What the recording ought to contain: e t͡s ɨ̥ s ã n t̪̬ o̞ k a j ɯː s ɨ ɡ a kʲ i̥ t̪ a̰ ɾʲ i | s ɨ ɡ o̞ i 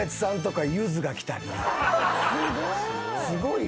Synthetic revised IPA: e t͡s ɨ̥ s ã n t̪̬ o̞ k a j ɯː z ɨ ɡ a kʲ i̥ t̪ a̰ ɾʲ i | s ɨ ɡ o̞ i